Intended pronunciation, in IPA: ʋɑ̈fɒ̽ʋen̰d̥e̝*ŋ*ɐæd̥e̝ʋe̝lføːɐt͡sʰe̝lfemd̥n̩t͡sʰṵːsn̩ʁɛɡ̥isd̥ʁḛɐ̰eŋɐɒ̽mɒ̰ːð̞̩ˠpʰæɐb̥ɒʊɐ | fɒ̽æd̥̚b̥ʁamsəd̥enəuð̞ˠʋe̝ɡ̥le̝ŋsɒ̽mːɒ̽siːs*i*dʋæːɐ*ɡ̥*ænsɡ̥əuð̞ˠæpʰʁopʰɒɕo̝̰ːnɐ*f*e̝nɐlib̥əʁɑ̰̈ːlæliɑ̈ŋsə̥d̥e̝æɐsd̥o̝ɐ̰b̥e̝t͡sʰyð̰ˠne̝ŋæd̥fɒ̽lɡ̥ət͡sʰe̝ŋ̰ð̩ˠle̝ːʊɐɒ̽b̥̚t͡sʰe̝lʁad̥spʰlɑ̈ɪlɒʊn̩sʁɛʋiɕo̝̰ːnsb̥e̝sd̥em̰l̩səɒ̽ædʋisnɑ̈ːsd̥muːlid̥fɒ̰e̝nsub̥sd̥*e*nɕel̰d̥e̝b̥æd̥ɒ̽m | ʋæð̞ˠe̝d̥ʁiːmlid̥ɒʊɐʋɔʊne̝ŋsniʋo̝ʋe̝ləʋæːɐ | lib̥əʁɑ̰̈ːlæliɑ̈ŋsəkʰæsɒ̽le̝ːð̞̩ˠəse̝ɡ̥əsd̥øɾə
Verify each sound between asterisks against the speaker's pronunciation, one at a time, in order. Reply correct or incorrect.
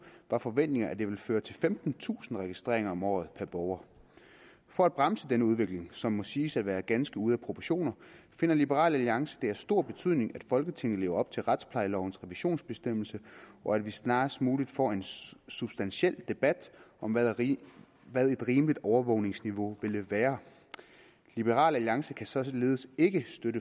correct, incorrect: æ, correct, correct, incorrect: æ

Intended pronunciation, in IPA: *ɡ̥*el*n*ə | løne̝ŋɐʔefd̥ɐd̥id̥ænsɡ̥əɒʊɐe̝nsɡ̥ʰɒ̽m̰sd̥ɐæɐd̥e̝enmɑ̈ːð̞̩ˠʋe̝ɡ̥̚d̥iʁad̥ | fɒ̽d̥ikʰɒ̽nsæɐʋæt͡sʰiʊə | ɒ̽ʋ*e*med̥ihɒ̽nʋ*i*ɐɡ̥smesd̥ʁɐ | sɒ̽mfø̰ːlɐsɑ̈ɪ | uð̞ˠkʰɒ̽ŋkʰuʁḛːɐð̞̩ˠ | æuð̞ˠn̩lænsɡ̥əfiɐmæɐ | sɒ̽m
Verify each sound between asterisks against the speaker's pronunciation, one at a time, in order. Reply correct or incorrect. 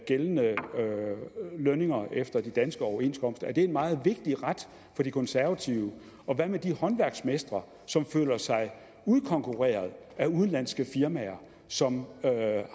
correct, correct, incorrect: æ, incorrect: æ

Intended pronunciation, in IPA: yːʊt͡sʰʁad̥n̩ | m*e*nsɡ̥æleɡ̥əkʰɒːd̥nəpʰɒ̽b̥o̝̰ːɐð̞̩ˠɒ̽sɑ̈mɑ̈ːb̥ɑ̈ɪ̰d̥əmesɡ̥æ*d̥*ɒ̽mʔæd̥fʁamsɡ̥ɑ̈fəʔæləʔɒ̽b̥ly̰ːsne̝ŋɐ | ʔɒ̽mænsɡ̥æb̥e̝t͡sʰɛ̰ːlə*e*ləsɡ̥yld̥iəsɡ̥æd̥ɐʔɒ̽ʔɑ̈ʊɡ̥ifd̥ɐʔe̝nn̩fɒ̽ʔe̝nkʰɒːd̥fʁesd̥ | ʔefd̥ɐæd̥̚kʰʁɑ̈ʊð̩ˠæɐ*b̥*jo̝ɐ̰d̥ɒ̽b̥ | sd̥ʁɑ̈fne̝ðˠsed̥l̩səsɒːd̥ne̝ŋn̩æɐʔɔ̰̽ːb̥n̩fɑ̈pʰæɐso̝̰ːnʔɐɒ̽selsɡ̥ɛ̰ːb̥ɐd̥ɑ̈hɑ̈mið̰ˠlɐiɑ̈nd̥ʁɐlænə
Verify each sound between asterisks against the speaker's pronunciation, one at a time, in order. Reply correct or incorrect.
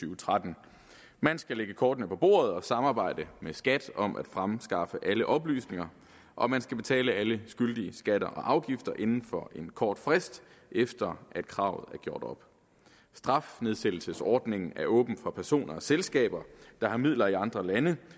incorrect: æ, correct, incorrect: æ, incorrect: ɡ̥

